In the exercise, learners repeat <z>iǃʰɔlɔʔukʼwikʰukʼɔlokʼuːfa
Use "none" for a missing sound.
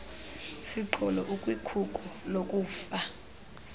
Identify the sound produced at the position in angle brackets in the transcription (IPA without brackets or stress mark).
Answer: s